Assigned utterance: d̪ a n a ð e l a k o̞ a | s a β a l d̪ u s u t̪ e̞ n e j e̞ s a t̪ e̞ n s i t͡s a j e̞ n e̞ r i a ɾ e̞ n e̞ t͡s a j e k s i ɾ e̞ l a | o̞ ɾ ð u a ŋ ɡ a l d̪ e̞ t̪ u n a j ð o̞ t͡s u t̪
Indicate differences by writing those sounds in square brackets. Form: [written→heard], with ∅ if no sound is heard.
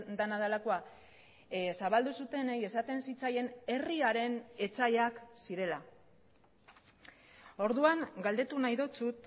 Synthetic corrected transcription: d̪ a n a ð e l a k o̞ a | s a β a l d̪ u s u t̪ e̞ n e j e̞ s a t̪ e̞ n s i t͡s a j e̞ n e̞ r i a ɾ e̞ n e̞ t͡s a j [e→a] k s i ɾ e̞ l a | o̞ ɾ ð u a ŋ ɡ a l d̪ e̞ t̪ u n a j ð o̞ t͡s u t̪

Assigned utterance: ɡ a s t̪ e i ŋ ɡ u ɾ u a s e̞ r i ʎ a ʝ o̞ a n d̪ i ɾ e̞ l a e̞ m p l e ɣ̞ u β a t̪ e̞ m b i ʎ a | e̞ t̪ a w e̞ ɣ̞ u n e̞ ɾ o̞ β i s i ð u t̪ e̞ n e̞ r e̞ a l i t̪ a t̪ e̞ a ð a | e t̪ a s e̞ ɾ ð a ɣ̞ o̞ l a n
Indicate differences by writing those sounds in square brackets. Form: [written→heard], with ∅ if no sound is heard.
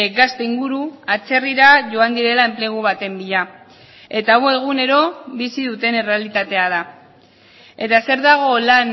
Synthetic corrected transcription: ɡ a s t̪ e i ŋ ɡ u ɾ u a [s→t͡s] e̞ r i [ʎ→ɾ] a ʝ o̞ a n d̪ i ɾ e̞ l a e̞ m p l e ɣ̞ u β a t̪ e̞ m b i ʎ a | e̞ t̪ a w e̞ ɣ̞ u n e̞ ɾ o̞ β i s i ð u t̪ e̞ n e̞ r e̞ a l i t̪ a t̪ e̞ a ð a | e t̪ a s e̞ ɾ ð a ɣ̞ o̞ l a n

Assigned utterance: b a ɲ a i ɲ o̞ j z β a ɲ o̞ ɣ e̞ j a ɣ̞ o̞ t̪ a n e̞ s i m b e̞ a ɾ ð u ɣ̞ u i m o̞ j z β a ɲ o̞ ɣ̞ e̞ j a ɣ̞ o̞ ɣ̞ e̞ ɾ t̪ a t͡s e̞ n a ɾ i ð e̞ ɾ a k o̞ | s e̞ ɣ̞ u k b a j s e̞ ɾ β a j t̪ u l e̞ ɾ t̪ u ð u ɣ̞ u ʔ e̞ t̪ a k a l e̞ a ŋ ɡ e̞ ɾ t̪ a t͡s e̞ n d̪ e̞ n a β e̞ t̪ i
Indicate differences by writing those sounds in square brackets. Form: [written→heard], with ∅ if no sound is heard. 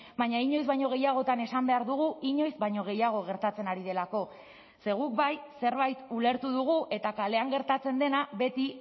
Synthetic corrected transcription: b a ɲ a i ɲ o̞ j z β a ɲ o̞ ɣ e̞ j a ɣ̞ o̞ t̪ a n e̞ s [i→a] m b e̞ a ɾ ð u ɣ̞ u i [m→ɲ] o̞ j z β a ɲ o̞ ɣ̞ e̞ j a ɣ̞ o̞ ɣ̞ e̞ ɾ t̪ a t͡s e̞ n a ɾ i ð e̞ [ɾ→l] a k o̞ | s e̞ ɣ̞ u k b a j s e̞ ɾ β a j t̪ u l e̞ ɾ t̪ u ð u ɣ̞ u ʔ e̞ t̪ a k a l e̞ a ŋ ɡ e̞ ɾ t̪ a t͡s e̞ n d̪ e̞ n a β e̞ t̪ i

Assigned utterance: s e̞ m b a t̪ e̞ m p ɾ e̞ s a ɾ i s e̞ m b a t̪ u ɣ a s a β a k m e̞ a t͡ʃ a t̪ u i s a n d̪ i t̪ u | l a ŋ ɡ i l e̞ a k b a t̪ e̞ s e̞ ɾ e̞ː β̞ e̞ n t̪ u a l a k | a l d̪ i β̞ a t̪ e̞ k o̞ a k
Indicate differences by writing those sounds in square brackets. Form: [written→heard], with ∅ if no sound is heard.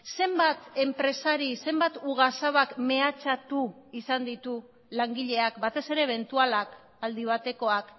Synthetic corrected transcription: s e̞ m b a t̪ e̞ m p ɾ e̞ s a ɾ i s e̞ m b a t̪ u ɣ a s a β a k m e̞ a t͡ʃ a t̪ u i s a n d̪ i t̪ u | l a ŋ ɡ i [l→ʎ] e̞ a k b a t̪ e̞ s e̞ ɾ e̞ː β̞ e̞ n t̪ u a l a k | a l d̪ i β̞ a t̪ e̞ k o̞ a k

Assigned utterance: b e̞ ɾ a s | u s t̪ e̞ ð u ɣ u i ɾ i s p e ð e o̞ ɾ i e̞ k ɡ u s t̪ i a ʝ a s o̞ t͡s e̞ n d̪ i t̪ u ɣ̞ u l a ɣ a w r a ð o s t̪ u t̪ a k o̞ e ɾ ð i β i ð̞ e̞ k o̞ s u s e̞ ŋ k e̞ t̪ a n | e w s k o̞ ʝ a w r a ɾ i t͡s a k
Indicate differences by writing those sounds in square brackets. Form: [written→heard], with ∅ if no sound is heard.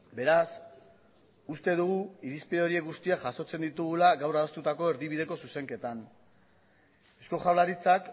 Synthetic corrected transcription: b e̞ ɾ a s | u s t̪ e̞ ð u ɣ u i ɾ i s p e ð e o̞ ɾ i e̞ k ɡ u s t̪ i a ʝ a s o̞ t͡s e̞ n d̪ i t̪ u ɣ̞ u l a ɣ a w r a ð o s t̪ u t̪ a k o̞ e ɾ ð i β i ð̞ e̞ k o̞ s u s e̞ ŋ k e̞ t̪ a n | e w s k o̞ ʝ a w [r→l] a ɾ i t͡s a k

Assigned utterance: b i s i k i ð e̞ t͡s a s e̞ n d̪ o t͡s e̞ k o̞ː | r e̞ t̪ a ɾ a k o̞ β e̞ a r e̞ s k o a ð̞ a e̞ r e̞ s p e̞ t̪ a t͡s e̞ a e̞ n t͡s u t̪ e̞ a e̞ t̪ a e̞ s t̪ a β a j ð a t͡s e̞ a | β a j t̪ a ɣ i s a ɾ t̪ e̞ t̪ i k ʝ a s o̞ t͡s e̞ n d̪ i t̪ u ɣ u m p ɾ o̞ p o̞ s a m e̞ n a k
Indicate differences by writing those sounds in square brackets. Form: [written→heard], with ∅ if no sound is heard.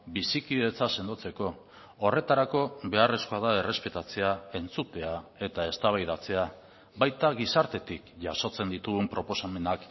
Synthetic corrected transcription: b i s i k i ð e̞ t͡s a s e̞ n d̪ o t͡s e̞ k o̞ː | r e̞ t̪ a ɾ a k o̞ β e̞ a r e̞ s k o a ð̞ a e̞ r e̞ s p e̞ t̪ a t͡s e̞ a e̞ n t͡s u t̪ e̞ a e̞ t̪ a e̞ s t̪ a β a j ð a t͡s e̞ a | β a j t̪ a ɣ i s a ɾ t̪ e̞ t̪ i k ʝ a s o̞ t͡s e̞ n d̪ i t̪ u ɣ u m p ɾ o̞ p o̞ s a m e̞ n a k

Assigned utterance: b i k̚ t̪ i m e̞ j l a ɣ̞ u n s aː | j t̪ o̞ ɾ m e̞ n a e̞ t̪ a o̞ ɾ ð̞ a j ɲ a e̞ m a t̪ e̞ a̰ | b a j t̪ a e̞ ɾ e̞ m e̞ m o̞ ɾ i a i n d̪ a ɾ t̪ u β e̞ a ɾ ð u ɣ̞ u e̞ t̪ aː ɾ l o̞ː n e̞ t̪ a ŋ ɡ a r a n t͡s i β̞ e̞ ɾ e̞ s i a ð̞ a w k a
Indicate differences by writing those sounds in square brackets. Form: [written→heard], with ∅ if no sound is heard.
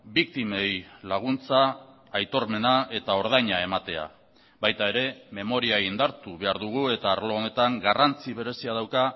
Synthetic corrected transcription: b i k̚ t̪ i m e̞ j l a ɣ̞ u n [s→t͡s] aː | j t̪ o̞ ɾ m e̞ n a e̞ t̪ a o̞ ɾ ð̞ a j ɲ a e̞ m a t̪ e̞ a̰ | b a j t̪ a e̞ ɾ e̞ m e̞ m o̞ ɾ i a i n d̪ a ɾ t̪ u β e̞ a ɾ ð u ɣ̞ u e̞ t̪ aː ɾ l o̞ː n e̞ t̪ a ŋ ɡ a r a n t͡s i β̞ e̞ ɾ e̞ s i a ð̞ a w k a

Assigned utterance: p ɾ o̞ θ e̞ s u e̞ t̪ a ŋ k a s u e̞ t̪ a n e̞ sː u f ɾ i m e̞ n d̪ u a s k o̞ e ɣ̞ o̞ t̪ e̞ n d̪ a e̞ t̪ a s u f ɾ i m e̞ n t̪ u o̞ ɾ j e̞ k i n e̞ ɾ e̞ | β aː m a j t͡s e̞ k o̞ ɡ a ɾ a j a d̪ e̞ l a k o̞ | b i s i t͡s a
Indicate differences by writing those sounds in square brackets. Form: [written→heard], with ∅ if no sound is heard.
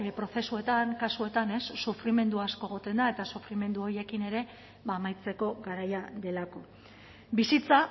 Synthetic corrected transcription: p ɾ o̞ θ e̞ s u e̞ t̪ a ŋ k a s u e̞ t̪ a n e̞ sː u f ɾ i m e̞ n d̪ u a s k o̞ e ɣ̞ o̞ t̪ e̞ n d̪ a e̞ t̪ a s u f ɾ i m e̞ n [t̪→d̪] u o̞ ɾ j e̞ k i n e̞ ɾ e̞ | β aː m a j t͡s e̞ k o̞ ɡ a ɾ a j a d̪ e̞ l a k o̞ | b i s i t͡s a

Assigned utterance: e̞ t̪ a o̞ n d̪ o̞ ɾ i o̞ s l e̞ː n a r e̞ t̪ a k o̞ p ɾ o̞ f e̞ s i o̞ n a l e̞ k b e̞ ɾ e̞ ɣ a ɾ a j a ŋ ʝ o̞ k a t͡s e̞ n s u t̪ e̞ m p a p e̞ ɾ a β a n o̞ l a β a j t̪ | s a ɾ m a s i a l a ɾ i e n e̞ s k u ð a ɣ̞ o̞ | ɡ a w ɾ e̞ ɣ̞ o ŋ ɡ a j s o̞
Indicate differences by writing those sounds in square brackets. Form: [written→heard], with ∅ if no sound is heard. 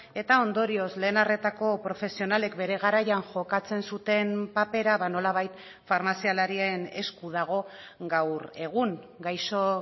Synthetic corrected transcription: e̞ t̪ a o̞ n d̪ o̞ ɾ i o̞ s l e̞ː n a r e̞ t̪ a k o̞ p ɾ o̞ f e̞ s i o̞ n a l e̞ k b e̞ ɾ e̞ ɣ a ɾ a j a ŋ ʝ o̞ k a t͡s e̞ n s u t̪ e̞ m p a p e̞ ɾ a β a n o̞ l a β a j t̪ | [s→f] a ɾ m a s i a l a ɾ i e n e̞ s k u ð a ɣ̞ o̞ | ɡ a w ɾ e̞ ɣ̞ [o→u] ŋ ɡ a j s o̞

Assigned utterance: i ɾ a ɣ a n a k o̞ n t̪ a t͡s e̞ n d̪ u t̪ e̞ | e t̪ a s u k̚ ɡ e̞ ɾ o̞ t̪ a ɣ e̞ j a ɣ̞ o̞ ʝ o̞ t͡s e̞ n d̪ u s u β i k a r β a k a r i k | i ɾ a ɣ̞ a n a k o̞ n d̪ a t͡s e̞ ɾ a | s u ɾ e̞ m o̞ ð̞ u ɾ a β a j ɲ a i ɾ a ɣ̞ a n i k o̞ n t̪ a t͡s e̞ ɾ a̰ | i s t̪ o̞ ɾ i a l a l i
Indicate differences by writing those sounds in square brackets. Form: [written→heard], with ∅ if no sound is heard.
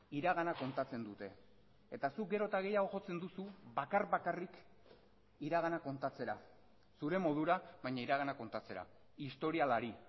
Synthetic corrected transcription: i ɾ a ɣ a n a k o̞ n t̪ a t͡s e̞ n d̪ u t̪ e̞ | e t̪ a s u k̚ ɡ e̞ ɾ o̞ t̪ a ɣ e̞ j a ɣ̞ o̞ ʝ o̞ t͡s e̞ n d̪ u s u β [i→a] k a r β a k a r i k | i ɾ a ɣ̞ a n a k o̞ n [d̪→t̪] a t͡s e̞ ɾ a | s u ɾ e̞ m o̞ ð̞ u ɾ a β a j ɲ a i ɾ a ɣ̞ a n [i→a] k o̞ n t̪ a t͡s e̞ ɾ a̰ | i s t̪ o̞ ɾ i a l a [l→ɾ] i

